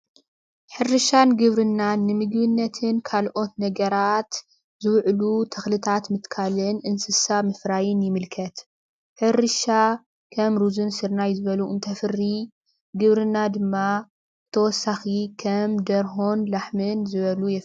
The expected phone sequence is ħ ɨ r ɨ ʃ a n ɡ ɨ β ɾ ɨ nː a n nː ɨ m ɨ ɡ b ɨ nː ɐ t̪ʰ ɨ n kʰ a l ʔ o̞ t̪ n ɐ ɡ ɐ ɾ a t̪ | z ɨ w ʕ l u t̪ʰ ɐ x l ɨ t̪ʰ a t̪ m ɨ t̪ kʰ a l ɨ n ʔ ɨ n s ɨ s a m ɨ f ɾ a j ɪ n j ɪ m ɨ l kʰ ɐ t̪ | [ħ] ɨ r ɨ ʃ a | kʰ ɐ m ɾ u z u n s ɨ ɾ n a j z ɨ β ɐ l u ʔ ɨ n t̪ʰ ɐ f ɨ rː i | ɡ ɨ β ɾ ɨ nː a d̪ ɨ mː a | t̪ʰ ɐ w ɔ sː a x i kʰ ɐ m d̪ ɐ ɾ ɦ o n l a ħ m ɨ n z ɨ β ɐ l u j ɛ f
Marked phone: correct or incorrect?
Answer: correct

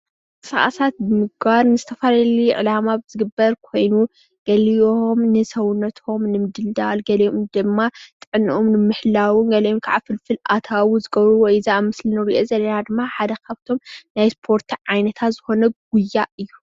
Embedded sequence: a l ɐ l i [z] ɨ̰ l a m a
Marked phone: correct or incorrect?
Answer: incorrect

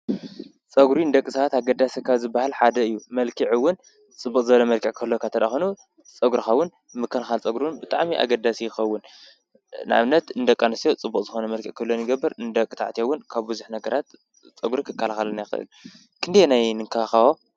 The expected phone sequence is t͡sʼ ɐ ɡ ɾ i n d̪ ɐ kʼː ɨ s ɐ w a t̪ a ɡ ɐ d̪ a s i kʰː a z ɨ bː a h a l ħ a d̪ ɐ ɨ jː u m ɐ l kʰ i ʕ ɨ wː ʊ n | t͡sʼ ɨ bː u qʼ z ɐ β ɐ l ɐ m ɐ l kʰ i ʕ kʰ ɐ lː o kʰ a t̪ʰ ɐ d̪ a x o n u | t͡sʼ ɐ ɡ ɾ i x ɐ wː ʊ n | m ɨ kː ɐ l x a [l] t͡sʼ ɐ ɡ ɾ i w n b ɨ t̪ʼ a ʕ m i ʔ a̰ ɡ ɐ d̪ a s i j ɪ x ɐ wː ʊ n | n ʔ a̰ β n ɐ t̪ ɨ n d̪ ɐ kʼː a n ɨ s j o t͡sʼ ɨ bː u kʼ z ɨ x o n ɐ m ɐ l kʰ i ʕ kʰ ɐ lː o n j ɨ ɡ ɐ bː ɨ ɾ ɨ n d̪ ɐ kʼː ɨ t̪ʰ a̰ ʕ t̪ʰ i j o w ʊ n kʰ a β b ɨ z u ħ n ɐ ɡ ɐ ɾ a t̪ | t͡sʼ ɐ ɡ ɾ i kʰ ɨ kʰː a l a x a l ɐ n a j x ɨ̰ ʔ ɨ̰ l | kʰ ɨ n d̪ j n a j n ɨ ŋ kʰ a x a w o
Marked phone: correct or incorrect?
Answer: correct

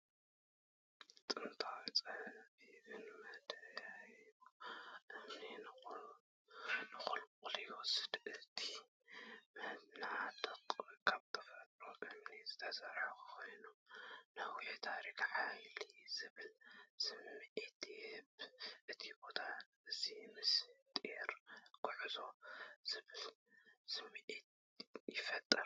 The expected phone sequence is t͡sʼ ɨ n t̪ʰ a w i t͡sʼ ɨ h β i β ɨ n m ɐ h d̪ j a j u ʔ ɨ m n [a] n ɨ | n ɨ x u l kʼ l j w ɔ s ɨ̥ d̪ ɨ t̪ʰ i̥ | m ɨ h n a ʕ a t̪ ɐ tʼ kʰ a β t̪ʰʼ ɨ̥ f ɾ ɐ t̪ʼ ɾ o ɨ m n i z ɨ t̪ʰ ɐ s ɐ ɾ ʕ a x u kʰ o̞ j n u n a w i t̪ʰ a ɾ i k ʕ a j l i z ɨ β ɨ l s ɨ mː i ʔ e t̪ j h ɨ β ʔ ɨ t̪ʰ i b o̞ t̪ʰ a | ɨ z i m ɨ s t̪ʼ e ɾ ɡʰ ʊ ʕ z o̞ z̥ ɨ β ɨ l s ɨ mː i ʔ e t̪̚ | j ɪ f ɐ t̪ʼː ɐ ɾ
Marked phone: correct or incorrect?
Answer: incorrect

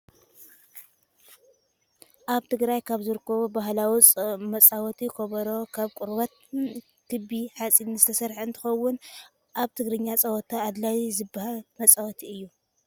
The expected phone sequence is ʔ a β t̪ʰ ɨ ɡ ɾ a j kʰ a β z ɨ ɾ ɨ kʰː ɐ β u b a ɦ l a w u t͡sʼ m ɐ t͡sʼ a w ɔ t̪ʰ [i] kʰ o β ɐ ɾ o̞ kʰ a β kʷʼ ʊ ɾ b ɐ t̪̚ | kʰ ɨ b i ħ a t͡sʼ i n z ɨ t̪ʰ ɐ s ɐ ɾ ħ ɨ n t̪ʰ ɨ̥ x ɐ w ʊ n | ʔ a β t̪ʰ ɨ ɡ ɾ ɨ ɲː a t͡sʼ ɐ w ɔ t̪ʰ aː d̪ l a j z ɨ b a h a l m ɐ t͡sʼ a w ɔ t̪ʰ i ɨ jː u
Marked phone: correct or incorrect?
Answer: correct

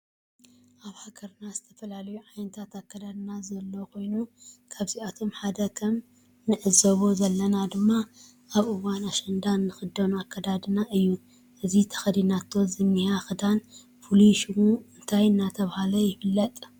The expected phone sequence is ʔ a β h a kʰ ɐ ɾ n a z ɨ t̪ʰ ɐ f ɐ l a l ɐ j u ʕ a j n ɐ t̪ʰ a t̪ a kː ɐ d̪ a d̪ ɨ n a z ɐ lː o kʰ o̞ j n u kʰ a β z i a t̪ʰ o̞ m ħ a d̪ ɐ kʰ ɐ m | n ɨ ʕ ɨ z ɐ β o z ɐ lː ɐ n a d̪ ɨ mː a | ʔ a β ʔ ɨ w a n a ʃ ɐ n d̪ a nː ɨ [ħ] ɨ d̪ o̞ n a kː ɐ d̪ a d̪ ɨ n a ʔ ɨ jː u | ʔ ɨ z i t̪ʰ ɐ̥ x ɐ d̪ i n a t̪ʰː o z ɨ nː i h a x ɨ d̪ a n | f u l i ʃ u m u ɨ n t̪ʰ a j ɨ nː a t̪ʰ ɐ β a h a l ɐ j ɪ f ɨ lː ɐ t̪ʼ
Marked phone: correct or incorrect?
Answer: incorrect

